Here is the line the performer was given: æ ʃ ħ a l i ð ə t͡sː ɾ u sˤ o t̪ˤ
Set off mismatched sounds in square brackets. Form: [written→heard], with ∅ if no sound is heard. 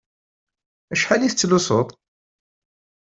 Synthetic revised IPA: æ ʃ ħ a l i [ð→θ] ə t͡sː [ɾ→l] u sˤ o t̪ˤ